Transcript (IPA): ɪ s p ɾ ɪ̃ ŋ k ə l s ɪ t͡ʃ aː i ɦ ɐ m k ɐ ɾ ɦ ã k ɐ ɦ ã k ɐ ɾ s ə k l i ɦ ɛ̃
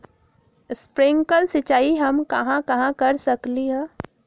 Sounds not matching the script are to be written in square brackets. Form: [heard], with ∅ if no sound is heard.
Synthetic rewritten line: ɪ s p ɾ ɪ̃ ŋ k ə l s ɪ t͡ʃ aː i ɦ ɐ m k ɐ [∅] ɦ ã k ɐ ɦ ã k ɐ ɾ s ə k l i ɦ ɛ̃

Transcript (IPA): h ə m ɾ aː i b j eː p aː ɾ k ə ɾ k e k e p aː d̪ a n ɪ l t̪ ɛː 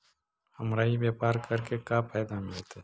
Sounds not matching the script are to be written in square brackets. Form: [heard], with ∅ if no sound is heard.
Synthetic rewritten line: h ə m ɾ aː i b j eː p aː ɾ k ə ɾ k e k [a] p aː d̪ a [m] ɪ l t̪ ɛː

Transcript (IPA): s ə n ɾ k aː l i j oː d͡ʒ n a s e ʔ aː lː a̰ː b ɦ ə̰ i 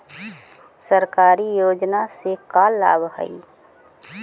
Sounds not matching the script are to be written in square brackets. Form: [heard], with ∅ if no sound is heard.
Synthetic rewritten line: s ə [∅] ɾ k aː [ɾ] i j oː d͡ʒ n a s e [k] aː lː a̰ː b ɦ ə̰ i

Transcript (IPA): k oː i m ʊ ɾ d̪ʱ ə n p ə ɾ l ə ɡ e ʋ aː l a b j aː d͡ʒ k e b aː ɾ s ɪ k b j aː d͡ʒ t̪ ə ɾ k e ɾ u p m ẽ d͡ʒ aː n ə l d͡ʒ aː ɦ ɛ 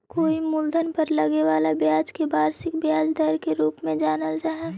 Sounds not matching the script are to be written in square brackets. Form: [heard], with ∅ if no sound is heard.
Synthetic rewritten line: k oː i m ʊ [l] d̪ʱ ə n p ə ɾ l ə ɡ e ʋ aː l a b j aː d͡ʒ k e b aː ɾ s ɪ k b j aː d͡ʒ [d̪] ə ɾ k e ɾ [uː] p m ẽ d͡ʒ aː n ə l d͡ʒ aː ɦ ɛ

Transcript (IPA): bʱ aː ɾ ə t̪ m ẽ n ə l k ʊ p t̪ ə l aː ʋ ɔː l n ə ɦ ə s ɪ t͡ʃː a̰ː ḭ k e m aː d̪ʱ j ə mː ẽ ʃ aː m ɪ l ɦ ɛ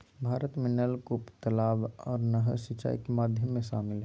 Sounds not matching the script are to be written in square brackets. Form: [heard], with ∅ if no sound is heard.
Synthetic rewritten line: bʱ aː ɾ ə t̪ m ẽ n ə l k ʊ p t̪ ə l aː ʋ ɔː [ɾ] n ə ɦ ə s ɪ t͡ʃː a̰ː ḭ k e m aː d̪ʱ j ə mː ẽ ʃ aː m ɪ l ɦ ɛ

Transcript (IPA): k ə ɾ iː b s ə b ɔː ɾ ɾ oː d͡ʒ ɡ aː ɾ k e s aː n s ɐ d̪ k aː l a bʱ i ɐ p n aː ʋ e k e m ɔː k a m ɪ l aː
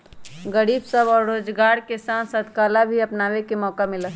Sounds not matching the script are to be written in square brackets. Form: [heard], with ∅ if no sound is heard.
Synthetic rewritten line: [ɡ] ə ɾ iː b s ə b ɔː ɾ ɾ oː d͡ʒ ɡ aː ɾ k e s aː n s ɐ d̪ k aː l a bʱ i ɐ p n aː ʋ e k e m ɔː k a m ɪ l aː

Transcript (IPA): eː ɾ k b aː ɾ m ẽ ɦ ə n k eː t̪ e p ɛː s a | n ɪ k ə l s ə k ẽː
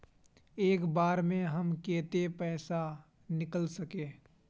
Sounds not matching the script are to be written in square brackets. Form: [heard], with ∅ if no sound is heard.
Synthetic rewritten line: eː [∅] k b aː ɾ m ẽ ɦ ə [m] k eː t̪ e p ɛː s a | n ɪ k ə l s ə k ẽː

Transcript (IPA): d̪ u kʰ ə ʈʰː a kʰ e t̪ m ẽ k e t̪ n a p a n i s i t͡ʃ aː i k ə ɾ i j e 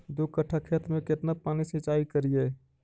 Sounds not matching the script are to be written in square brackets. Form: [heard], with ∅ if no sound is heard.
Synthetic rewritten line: d̪ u [k] ə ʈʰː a kʰ e t̪ m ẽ k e t̪ n a p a n i s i t͡ʃ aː i k ə ɾ i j e

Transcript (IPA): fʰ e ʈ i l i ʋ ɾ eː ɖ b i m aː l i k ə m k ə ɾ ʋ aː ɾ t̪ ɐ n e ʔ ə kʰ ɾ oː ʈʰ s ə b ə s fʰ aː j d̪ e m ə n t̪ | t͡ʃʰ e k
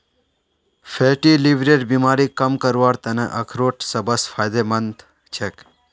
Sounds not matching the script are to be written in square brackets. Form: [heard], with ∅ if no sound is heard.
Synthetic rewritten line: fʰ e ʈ i l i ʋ ɾ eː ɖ b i m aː [ɾ] i k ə m k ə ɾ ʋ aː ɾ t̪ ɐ n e ʔ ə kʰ ɾ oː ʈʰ s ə b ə s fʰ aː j d̪ e m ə n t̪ | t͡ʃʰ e k

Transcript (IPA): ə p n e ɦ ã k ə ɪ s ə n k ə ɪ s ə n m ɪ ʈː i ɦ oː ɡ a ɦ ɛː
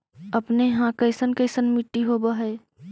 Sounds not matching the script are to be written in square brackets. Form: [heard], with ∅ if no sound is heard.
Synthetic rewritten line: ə p n e ɦ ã k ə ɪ s ə n k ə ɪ s ə n m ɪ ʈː i ɦ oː [b] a ɦ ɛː

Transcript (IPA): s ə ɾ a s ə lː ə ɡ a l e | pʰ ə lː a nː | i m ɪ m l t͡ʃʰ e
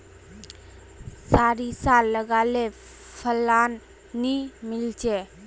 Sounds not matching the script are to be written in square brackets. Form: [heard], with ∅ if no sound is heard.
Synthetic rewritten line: s [a] ɾ [i] s [a] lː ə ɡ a l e | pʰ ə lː a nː | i m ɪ [∅] l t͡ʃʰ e

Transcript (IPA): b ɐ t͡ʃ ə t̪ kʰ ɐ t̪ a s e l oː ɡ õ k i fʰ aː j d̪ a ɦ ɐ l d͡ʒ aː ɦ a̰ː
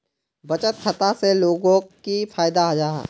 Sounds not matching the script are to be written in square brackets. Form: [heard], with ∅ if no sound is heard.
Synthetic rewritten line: b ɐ t͡ʃ ə t̪ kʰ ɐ t̪ a s e l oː ɡ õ k i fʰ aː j d̪ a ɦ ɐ [∅] d͡ʒ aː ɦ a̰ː

